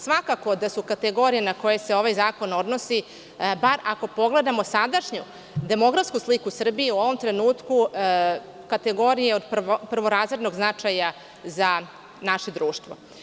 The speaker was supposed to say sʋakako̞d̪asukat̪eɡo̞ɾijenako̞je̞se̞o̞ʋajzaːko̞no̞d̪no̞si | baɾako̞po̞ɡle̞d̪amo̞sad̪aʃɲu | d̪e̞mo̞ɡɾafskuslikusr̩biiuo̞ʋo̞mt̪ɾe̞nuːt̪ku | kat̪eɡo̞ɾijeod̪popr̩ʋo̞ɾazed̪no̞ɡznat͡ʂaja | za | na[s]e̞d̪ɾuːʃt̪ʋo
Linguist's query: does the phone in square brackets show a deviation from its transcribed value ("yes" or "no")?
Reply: yes